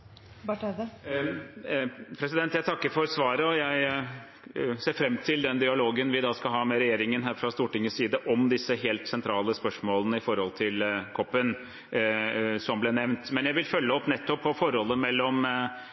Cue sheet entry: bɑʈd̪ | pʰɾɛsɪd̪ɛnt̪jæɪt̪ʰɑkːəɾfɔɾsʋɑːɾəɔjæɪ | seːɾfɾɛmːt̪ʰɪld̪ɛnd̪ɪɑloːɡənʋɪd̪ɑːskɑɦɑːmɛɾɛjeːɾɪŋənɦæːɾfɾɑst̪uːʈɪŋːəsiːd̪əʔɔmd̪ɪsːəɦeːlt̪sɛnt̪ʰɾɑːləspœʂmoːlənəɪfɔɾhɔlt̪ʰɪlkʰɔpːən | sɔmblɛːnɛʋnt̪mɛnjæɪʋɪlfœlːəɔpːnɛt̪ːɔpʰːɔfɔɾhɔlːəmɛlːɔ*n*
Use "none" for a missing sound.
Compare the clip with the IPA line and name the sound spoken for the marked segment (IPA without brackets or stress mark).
m